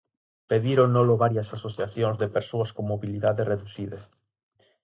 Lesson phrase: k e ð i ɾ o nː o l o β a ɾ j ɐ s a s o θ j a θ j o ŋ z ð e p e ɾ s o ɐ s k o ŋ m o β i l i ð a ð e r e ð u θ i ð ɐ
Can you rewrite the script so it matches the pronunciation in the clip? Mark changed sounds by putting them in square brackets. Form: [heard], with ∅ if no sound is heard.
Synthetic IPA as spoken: [p] e ð i ɾ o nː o l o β a ɾ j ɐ s a s o θ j a θ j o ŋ z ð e p e ɾ s o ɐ s k o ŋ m o β i l i ð a ð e r e ð u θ i ð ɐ